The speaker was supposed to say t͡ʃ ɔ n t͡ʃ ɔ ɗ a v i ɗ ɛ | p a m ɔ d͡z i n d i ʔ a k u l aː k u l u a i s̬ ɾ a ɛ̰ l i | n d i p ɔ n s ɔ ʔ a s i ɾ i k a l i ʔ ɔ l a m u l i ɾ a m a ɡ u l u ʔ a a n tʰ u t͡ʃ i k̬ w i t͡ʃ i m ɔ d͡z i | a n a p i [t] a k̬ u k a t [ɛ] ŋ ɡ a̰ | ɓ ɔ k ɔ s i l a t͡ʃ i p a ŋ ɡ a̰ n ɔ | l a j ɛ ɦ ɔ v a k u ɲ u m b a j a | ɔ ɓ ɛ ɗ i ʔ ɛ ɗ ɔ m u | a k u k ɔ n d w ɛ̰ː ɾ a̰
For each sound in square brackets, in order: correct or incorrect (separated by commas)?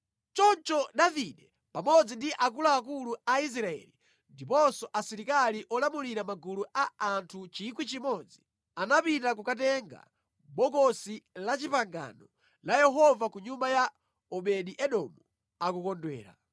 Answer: correct, correct